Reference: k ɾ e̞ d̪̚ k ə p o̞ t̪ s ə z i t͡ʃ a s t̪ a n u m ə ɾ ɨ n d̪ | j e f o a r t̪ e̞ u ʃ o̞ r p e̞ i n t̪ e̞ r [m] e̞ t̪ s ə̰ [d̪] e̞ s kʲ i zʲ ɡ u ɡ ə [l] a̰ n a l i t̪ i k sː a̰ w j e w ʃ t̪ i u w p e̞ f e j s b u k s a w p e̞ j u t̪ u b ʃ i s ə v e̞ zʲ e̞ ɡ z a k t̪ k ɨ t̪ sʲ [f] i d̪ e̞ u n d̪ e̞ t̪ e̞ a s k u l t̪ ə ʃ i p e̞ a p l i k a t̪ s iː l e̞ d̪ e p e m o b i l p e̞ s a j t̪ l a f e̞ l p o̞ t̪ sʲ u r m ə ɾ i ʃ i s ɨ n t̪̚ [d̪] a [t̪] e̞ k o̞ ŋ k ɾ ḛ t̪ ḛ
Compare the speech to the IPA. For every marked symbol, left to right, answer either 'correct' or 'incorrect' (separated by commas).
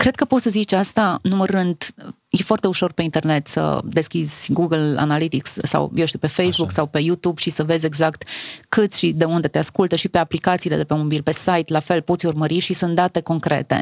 incorrect, correct, correct, incorrect, correct, correct